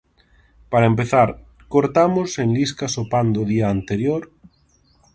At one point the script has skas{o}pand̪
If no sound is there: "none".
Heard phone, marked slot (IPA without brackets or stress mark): o